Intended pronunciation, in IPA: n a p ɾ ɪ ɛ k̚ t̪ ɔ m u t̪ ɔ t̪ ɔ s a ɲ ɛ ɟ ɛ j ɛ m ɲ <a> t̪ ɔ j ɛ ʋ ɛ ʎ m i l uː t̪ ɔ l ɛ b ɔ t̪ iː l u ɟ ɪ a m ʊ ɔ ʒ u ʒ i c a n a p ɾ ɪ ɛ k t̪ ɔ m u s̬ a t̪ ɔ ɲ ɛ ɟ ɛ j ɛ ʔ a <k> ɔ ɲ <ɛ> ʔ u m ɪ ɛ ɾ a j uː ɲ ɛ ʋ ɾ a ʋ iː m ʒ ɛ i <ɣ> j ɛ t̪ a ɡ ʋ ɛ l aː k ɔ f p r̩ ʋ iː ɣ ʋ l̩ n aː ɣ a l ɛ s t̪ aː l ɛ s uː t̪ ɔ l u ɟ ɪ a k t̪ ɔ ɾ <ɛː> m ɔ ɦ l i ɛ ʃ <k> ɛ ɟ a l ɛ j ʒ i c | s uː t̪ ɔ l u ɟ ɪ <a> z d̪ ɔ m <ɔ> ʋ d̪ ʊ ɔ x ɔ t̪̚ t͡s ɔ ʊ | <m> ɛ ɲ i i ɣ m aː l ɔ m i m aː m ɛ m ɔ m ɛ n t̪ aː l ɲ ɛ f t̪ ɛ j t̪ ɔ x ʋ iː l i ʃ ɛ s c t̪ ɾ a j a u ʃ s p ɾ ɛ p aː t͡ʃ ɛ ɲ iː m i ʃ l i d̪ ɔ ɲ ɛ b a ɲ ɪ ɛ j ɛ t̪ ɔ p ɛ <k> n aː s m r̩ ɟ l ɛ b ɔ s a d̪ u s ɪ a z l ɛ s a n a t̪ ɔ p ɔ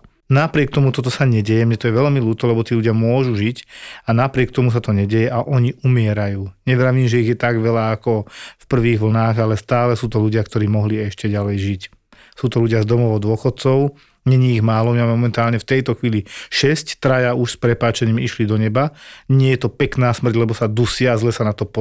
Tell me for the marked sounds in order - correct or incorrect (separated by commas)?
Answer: incorrect, incorrect, incorrect, correct, incorrect, incorrect, correct, correct, incorrect, correct